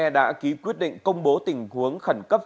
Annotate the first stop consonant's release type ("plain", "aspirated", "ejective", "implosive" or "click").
implosive